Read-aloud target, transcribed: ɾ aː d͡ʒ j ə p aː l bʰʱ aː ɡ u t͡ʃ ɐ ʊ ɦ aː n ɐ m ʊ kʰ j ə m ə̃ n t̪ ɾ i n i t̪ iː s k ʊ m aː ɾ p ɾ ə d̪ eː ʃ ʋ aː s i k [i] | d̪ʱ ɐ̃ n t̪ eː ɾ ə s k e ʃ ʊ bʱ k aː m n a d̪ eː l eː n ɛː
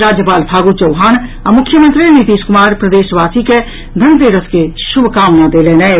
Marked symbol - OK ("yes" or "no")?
no